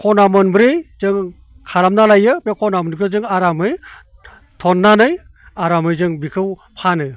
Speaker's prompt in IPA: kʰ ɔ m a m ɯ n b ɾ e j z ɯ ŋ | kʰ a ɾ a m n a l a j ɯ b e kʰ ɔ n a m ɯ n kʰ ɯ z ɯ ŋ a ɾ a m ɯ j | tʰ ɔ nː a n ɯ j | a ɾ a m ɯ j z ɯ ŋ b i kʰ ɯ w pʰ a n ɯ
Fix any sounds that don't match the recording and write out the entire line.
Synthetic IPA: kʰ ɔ n a m ɯ n b ɾ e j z ɯ ŋ | kʰ a ɾ a m n a l a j ɯ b e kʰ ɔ n a m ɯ n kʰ ɯ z ɯ ŋ a ɾ a m ɯ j | tʰ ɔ nː a n ɯ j | a ɾ a m ɯ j z ɯ ŋ b i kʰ ɯ w pʰ a n ɯ